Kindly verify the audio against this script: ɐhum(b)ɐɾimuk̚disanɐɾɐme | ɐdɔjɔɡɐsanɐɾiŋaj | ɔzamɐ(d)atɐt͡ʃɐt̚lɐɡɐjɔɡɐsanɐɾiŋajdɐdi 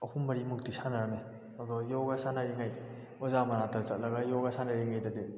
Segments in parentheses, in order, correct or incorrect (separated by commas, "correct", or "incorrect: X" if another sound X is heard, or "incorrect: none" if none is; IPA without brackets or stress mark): correct, incorrect: n